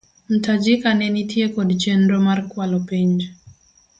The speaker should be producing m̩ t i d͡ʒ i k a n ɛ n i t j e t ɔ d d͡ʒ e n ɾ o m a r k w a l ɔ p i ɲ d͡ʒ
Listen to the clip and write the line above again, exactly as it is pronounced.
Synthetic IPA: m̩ t a d͡ʒ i k a n ɛ n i t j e k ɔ d d͡ʒ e n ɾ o m a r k w a l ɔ p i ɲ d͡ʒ